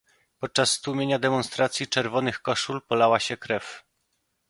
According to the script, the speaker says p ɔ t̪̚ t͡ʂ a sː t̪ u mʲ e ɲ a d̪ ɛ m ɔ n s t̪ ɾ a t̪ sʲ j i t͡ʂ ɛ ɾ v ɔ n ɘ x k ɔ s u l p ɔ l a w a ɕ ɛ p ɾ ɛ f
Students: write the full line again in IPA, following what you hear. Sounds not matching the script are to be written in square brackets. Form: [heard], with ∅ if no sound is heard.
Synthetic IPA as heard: p ɔ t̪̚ t͡ʂ a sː t̪ u mʲ e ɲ a d̪ ɛ m ɔ n s t̪ ɾ a t̪ sʲ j i t͡ʂ ɛ ɾ v ɔ n ɘ x k ɔ [ʂ] u l p ɔ l a w a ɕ ɛ [k] ɾ ɛ f